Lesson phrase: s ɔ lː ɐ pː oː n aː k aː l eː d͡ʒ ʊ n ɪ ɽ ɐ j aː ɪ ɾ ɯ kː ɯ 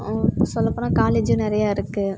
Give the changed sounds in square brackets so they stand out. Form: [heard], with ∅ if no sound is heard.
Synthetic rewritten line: s ɔ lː ɐ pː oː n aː k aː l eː d͡ʒ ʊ n ɪ [ɾ] ɐ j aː ɪ ɾ ɯ kː ɯ